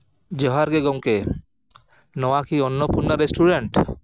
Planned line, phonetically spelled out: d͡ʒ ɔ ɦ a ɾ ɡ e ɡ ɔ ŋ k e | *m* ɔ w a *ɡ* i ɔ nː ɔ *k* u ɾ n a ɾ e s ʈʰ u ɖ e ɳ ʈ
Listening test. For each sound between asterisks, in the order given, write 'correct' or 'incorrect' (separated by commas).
incorrect, incorrect, incorrect